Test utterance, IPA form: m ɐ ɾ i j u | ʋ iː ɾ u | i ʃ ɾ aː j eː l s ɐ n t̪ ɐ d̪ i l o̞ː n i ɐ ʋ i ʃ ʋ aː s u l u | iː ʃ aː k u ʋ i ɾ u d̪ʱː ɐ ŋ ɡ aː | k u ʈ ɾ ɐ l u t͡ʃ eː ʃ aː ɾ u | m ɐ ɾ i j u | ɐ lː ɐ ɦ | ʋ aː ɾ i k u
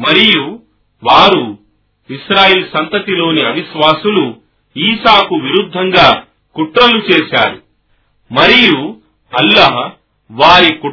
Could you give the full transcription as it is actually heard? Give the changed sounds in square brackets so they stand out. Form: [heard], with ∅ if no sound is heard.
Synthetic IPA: m ɐ ɾ i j u | ʋ [aː] ɾ u | i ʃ ɾ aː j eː l s ɐ n t̪ ɐ [t̪] i l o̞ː n i ɐ ʋ i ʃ ʋ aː s u l u | iː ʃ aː k u ʋ i ɾ u d̪ʱː ɐ ŋ ɡ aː | k u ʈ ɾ ɐ l u t͡ʃ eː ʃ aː ɾ u | m ɐ ɾ i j u | ɐ lː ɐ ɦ | ʋ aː ɾ i k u